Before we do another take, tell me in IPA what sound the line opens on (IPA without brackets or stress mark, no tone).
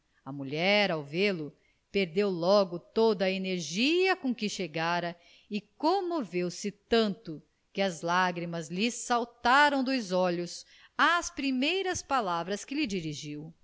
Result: ɐ